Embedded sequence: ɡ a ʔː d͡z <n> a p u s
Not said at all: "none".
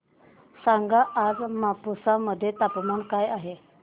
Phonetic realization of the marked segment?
m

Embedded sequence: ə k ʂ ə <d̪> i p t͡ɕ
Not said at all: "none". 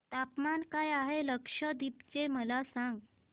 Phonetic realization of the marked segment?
d̪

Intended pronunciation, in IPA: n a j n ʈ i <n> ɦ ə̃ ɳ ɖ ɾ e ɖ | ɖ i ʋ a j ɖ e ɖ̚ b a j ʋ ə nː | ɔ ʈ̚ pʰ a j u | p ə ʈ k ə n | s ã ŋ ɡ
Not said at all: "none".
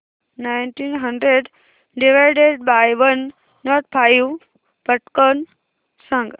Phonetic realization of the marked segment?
n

